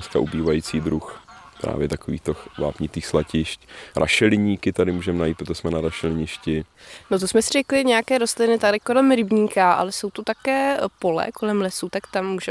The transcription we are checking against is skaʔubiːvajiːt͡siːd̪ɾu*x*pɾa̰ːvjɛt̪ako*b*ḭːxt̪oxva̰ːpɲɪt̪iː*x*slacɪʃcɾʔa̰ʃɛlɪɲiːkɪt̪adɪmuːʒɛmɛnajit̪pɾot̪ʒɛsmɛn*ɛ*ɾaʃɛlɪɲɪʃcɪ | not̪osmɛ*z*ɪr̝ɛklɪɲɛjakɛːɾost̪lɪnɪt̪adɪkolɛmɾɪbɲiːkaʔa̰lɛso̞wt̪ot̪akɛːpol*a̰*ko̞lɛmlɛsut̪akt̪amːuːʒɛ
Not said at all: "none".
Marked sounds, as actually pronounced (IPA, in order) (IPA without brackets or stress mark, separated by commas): x, v, x, a, s, ɛ̰